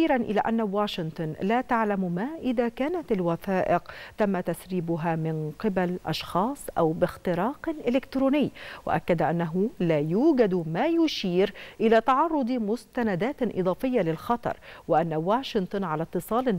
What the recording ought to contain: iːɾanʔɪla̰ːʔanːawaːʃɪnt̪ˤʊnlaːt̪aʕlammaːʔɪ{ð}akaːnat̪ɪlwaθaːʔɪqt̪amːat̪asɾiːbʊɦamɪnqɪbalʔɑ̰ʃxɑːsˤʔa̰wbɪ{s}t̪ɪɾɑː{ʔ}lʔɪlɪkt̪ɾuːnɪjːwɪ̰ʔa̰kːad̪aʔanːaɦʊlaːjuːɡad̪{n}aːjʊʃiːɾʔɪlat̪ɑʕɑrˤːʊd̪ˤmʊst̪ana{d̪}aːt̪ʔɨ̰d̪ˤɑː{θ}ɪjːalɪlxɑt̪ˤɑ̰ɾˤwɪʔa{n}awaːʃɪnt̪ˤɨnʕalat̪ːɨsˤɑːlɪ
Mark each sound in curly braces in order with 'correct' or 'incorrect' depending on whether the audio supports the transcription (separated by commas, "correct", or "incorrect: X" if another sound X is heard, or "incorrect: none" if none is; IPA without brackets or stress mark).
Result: correct, incorrect: x, incorrect: q, incorrect: m, correct, incorrect: f, incorrect: nː